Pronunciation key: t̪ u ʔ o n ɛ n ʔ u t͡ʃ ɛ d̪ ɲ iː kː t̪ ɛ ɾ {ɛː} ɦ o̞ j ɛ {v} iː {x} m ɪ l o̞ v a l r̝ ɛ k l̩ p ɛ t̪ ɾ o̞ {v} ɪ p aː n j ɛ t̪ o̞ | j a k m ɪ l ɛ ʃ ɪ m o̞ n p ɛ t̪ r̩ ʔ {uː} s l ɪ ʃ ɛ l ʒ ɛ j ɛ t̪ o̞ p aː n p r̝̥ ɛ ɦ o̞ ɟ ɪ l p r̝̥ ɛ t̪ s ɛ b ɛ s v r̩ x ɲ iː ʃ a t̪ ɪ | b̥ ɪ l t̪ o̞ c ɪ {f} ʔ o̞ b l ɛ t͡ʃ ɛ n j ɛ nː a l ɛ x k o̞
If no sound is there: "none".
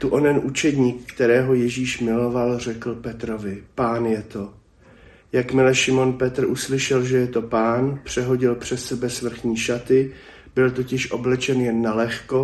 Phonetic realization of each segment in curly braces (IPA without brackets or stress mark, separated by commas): ɛː, ʒ, ʃ, v, u, ʃ